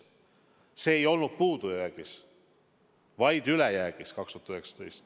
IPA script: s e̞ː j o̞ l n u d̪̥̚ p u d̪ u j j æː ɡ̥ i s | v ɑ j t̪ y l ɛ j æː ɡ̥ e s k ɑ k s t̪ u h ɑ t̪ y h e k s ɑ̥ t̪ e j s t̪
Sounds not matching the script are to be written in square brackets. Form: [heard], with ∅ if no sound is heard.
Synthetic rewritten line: s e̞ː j o̞ l n u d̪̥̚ p [uː] d̪ u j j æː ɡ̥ i s | v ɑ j [d̪] y l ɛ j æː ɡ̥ [i] s k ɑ k s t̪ u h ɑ t̪ y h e k s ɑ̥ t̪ e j s t̪